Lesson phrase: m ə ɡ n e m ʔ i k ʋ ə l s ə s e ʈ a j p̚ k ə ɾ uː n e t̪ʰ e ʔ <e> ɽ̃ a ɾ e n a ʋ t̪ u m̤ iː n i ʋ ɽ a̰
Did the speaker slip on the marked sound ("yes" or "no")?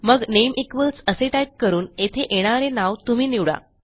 no